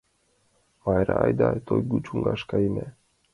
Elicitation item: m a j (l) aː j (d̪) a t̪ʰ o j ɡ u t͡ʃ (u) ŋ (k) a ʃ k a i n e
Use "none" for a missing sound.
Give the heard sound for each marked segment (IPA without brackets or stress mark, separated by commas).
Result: ɾ, d̪, u, ɡ